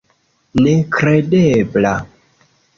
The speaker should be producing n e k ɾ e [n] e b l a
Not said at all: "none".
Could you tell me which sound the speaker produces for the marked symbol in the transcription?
d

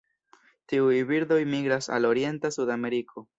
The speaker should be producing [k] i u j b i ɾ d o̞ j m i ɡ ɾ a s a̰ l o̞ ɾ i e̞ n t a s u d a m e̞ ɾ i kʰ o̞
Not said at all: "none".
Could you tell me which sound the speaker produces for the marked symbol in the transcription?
t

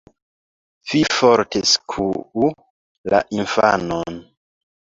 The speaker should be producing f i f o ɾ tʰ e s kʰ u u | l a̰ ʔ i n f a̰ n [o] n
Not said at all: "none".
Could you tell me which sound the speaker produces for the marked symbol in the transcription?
o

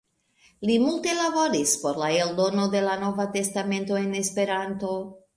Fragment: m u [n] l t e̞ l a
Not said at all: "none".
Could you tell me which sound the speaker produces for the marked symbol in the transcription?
none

